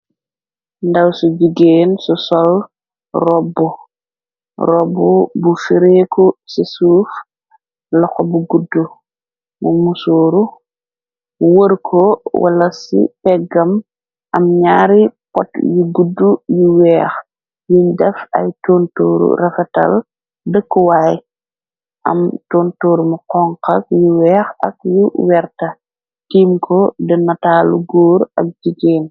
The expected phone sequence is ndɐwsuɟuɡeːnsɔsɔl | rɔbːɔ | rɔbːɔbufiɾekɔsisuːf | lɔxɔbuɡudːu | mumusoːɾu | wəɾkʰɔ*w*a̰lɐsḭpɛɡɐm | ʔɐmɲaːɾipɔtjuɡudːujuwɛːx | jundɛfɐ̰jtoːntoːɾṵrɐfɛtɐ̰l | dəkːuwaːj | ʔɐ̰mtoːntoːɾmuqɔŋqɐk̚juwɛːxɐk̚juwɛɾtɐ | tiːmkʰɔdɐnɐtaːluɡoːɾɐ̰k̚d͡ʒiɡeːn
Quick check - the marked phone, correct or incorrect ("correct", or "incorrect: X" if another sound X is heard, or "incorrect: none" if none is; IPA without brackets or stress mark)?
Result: correct